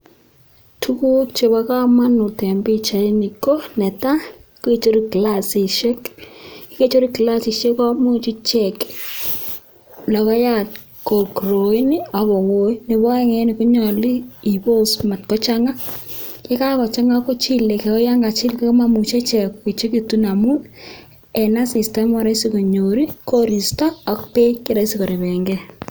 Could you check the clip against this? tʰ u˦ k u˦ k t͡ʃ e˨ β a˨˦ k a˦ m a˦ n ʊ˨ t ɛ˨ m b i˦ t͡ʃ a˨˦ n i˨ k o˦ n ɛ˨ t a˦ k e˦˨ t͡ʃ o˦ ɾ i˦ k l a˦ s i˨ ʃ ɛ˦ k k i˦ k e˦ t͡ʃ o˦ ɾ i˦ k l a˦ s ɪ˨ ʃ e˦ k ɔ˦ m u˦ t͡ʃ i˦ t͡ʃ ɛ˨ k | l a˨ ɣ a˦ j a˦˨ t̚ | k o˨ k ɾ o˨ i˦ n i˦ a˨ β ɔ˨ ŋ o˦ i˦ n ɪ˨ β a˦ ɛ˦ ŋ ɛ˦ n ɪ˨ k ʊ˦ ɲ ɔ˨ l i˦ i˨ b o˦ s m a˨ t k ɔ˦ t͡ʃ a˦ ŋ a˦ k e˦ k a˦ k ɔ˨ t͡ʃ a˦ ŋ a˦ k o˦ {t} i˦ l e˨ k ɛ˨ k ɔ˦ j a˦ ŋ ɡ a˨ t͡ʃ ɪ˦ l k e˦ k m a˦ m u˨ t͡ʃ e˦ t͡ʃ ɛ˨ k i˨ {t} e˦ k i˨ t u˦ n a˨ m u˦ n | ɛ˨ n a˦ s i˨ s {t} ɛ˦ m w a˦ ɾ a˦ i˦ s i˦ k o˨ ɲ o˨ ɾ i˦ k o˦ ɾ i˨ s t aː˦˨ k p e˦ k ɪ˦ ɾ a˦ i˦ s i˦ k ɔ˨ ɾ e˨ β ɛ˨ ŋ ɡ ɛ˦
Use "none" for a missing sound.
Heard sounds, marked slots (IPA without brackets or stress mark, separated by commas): t͡ʃ, t͡ʃ, t